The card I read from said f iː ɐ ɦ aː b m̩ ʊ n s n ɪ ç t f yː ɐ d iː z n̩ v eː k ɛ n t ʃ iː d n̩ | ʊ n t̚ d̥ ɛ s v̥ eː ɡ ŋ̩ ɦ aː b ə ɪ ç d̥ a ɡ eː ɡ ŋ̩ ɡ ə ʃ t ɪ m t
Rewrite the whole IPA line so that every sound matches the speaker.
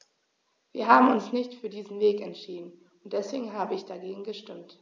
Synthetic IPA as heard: v iː ɐ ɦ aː b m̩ ʊ n s n ɪ ç t f yː ɐ d iː z n̩ v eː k ɛ n t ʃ iː d n̩ | ʊ n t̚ d̥ ɛ s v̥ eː ɡ ŋ̩ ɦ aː b ə ɪ ç d̥ a ɡ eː ɡ ŋ̩ ɡ ə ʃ t ɪ m t